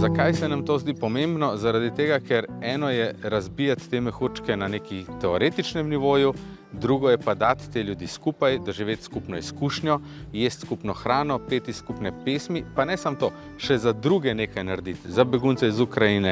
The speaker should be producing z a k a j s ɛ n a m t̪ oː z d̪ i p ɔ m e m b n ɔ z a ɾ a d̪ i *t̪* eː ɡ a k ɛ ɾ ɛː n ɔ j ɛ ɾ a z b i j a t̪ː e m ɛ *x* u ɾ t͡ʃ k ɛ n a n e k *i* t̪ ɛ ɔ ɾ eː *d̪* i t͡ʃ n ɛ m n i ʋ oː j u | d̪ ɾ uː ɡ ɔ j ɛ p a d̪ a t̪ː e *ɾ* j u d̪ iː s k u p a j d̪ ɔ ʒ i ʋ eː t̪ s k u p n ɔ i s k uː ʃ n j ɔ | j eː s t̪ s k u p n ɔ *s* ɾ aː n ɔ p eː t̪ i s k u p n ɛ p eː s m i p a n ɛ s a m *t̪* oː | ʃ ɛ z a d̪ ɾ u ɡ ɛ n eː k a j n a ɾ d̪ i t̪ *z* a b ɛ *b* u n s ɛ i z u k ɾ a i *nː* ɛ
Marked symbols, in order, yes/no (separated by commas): yes, yes, yes, no, no, no, yes, yes, no, no